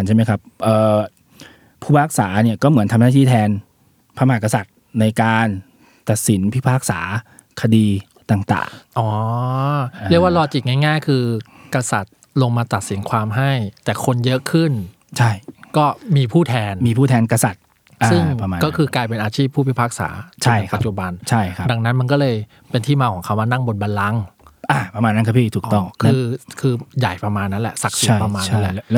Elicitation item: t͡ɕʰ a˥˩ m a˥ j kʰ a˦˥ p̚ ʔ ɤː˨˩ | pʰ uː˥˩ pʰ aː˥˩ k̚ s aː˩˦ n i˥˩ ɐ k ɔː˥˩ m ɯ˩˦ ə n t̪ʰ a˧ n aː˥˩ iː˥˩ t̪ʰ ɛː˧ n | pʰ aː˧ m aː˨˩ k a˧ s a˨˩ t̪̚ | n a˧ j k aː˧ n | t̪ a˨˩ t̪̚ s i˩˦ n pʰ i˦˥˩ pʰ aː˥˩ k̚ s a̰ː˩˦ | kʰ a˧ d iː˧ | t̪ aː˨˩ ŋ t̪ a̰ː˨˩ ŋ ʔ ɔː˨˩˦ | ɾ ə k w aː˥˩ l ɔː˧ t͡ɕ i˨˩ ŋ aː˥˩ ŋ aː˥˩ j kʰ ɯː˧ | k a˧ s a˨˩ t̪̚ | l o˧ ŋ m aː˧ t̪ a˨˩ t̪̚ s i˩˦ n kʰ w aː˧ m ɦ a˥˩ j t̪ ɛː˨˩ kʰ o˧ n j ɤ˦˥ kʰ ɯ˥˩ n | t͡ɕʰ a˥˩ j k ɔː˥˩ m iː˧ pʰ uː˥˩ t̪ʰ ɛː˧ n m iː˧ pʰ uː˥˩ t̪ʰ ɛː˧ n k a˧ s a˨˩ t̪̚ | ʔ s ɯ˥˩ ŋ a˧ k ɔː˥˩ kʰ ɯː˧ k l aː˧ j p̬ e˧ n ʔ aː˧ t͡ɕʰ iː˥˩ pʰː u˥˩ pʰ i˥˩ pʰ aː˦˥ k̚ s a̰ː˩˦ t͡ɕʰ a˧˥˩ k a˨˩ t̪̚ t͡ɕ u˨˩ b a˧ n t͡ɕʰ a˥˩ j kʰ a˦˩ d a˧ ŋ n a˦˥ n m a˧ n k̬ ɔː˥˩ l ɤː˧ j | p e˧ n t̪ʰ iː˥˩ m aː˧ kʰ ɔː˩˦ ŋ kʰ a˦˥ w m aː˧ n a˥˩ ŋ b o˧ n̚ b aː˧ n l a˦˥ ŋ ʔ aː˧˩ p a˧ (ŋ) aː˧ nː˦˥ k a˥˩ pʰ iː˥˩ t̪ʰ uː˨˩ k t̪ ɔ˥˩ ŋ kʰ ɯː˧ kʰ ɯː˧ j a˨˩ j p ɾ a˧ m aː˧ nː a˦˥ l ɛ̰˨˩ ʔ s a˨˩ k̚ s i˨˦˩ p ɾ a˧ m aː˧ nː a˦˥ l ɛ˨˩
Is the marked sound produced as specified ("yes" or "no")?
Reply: no